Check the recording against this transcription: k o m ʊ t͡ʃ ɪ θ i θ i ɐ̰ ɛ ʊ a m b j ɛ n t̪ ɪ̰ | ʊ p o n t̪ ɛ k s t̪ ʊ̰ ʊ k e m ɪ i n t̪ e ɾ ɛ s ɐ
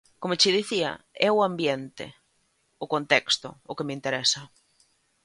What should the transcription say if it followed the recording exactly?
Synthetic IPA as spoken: k o m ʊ t͡ʃ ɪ ð i θ i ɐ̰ ɛ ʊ a m b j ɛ n t̪ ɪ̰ | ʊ k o n t̪ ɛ k s t̪ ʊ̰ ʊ k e m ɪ i n t̪ e ɾ ɛ s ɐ